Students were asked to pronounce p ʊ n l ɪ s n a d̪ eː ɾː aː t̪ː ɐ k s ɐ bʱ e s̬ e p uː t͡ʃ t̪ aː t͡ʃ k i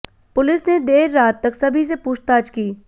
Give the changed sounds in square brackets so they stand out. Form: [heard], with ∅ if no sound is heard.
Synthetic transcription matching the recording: p ʊ [∅] l ɪ s n [e] d̪ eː ɾː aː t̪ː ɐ k s ɐ bʱ [i] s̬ e p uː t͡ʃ t̪ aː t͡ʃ k [iː]